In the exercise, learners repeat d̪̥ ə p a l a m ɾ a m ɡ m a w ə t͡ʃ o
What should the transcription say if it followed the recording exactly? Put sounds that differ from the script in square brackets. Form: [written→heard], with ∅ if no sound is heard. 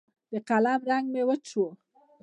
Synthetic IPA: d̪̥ ə [p→q] a l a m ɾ a [m→ŋ] ɡ m [a→e] w ə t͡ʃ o